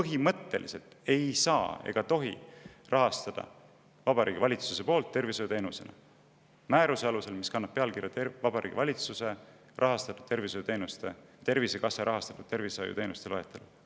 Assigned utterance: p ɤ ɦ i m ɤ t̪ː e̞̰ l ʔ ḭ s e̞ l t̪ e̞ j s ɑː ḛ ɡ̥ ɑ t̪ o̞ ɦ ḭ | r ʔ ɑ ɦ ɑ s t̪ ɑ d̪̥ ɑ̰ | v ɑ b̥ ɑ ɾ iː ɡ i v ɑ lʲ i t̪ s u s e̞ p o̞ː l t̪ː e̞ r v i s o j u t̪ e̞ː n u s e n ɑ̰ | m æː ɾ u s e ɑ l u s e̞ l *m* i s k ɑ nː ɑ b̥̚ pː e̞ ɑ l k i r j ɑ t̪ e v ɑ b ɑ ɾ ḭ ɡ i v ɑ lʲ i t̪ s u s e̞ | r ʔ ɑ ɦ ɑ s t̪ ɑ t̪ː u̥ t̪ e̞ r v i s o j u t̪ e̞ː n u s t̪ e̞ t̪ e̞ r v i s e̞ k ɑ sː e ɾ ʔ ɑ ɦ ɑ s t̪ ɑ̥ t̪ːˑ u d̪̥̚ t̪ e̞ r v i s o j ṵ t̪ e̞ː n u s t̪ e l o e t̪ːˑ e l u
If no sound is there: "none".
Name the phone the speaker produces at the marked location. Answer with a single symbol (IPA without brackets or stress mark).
m